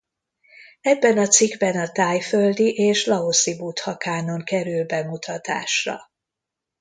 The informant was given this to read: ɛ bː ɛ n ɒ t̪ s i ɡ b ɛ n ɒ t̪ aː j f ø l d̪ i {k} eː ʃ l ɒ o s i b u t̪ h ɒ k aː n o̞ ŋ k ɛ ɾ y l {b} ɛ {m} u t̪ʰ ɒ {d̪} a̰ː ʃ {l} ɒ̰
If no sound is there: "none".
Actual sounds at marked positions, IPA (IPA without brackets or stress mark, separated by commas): ʔ, b, m, t̪, r